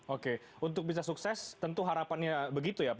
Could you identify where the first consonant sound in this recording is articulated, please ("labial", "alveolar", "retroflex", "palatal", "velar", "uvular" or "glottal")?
velar